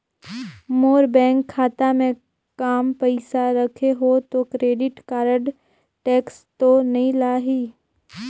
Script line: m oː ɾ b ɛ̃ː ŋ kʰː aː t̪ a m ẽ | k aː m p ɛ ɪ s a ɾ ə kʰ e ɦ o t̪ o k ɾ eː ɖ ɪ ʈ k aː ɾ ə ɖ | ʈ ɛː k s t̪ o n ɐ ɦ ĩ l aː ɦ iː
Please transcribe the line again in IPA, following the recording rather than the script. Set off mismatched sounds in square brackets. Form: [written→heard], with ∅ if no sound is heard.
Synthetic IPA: m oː ɾ b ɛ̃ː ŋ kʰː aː t̪ a m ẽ | k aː m p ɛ ɪ s a ɾ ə kʰ e ɦ o t̪ o k ɾ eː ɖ ɪ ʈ k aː ɾ ə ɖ | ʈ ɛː k s t̪ o n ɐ ɦ ĩ l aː ɦ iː